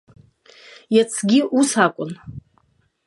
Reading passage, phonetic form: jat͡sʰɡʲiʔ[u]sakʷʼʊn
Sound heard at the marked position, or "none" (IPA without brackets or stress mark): u